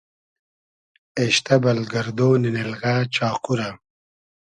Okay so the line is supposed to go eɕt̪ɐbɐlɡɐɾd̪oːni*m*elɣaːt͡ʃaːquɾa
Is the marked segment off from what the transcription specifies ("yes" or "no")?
yes